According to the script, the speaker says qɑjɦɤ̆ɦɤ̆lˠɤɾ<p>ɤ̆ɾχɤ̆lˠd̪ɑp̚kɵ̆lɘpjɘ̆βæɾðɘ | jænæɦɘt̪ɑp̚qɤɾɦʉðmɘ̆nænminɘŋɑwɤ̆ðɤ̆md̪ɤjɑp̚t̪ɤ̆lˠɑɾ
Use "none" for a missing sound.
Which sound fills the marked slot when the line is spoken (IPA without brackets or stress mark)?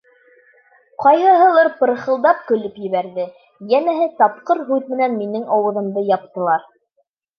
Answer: p